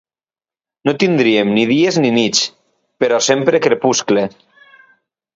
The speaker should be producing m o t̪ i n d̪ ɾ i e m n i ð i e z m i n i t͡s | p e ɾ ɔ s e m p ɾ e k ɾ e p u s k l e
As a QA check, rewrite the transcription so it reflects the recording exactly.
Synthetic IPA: n o t̪ i n d̪ ɾ i e m n i ð i e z n i n i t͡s | p e ɾ ɔ s e m p ɾ e k ɾ e p u s k l e